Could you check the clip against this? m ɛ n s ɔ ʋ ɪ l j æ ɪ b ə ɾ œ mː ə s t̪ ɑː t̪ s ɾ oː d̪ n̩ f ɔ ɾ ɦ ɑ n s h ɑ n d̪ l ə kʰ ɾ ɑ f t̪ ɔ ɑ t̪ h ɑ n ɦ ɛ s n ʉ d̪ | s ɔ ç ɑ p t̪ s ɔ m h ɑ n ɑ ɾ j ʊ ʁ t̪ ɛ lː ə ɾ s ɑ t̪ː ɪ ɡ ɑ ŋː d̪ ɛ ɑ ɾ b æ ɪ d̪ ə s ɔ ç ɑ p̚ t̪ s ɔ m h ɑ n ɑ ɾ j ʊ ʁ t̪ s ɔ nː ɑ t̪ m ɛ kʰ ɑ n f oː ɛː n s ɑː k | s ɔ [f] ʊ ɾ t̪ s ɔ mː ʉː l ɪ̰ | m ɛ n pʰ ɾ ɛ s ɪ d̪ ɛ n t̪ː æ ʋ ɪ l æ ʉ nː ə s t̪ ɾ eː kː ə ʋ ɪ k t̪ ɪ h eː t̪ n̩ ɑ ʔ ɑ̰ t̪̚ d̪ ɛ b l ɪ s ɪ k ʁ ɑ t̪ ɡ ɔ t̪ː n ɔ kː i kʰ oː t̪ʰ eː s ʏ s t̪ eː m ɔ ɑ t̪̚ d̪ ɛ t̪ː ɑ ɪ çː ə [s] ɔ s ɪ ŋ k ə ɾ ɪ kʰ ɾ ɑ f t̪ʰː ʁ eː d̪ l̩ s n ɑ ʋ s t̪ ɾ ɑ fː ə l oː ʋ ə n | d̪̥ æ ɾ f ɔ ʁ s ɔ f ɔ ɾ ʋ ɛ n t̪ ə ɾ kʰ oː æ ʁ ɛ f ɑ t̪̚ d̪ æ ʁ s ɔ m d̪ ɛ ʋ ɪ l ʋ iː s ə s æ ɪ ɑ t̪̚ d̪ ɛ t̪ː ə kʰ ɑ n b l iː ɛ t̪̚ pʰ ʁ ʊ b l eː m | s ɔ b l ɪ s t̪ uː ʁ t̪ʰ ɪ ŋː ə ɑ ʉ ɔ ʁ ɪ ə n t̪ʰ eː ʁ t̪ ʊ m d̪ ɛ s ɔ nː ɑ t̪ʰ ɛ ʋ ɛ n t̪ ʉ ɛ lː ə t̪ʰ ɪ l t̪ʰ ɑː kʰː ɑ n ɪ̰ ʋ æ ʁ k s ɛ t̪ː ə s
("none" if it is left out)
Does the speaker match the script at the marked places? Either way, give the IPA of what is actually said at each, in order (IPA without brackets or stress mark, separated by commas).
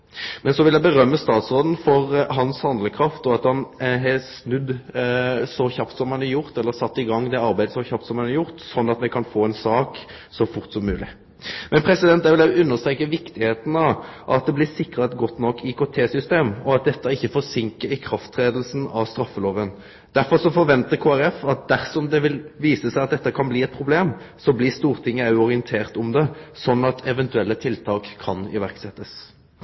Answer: f, f